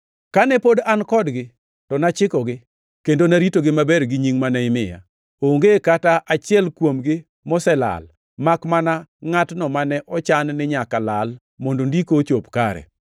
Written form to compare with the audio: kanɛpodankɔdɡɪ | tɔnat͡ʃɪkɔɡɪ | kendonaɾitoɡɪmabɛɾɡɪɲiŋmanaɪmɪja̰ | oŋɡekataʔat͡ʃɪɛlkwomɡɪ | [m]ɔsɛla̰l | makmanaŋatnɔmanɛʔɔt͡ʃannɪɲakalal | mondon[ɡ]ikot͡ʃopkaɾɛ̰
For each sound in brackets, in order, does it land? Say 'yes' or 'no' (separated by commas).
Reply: yes, no